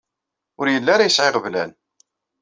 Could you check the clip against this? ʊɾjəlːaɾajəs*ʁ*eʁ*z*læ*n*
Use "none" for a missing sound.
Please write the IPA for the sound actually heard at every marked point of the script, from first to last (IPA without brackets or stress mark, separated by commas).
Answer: ʕ, v, n